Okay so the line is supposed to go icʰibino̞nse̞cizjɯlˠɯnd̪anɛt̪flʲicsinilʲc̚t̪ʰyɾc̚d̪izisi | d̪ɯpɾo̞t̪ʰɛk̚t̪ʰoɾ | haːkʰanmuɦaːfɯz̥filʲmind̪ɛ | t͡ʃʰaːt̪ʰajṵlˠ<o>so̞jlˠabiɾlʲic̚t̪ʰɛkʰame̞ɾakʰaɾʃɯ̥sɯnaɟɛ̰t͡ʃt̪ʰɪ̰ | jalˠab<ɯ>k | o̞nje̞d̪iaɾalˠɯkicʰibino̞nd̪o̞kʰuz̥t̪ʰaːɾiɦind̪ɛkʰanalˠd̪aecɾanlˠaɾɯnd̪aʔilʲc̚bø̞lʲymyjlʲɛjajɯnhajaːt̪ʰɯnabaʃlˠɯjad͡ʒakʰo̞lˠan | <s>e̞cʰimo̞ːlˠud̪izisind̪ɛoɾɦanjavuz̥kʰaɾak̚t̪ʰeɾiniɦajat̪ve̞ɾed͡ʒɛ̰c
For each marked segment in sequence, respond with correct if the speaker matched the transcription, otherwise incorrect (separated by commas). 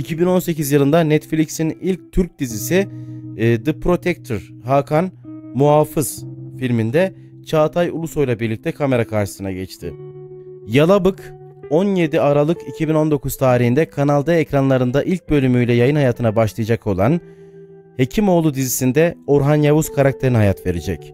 incorrect, correct, incorrect